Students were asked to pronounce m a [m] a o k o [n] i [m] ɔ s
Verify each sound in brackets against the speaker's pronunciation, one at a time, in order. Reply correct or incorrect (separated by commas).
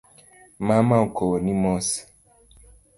correct, correct, correct